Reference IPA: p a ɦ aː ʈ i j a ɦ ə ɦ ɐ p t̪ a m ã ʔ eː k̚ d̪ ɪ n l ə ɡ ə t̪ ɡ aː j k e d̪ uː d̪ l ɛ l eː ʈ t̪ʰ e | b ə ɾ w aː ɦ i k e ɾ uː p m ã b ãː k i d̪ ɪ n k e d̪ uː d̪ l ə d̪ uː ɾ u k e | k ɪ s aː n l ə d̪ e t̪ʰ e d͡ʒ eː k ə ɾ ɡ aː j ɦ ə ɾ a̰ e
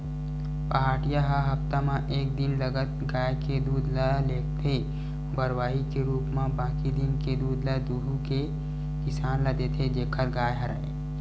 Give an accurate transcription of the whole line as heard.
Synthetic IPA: p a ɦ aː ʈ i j a ɦ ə ɦ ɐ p t̪ a m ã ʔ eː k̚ d̪ ɪ n l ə ɡ ə t̪ ɡ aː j k e d̪ uː d̪ l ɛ l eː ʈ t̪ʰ e | b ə ɾ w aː ɦ i k e ɾ uː p m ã b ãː k i d̪ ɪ n k e d̪ uː d̪ l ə d̪ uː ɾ u k e | k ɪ s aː n l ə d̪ e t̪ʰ e d͡ʒ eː kʰ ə ɾ ɡ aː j ɦ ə ɾ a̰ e